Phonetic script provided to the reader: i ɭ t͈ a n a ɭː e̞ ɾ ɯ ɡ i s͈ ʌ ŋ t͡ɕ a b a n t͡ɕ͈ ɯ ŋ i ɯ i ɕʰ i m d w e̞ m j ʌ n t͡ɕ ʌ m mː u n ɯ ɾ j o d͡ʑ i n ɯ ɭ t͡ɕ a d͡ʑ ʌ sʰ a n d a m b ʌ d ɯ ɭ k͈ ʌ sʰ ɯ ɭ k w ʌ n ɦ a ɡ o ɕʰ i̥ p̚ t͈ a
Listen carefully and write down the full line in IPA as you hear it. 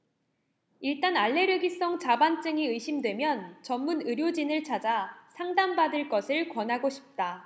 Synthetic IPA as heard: i ɭ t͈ a n a ɭː e̞ ɾ ɯ ɡ i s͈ ʌ ŋ t͡ɕ a b a n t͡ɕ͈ ɯ ŋ i ɯ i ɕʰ i m d w e̞ m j ʌ n t͡ɕ ʌ m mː u n ɯ ɾ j o d͡ʑ i n ɯ ɭ t͡ɕʰ a d͡ʑ a sʰ a ŋ d a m b a d ɯ ɭ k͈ ʌ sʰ ɯ ɭ k w ʌ n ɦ a ɡ o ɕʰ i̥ p̚ t͈ a